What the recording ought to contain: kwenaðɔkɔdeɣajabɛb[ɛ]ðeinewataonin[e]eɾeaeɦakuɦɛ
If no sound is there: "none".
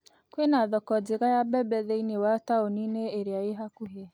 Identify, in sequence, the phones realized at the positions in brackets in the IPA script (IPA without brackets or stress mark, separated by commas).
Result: ɛ, e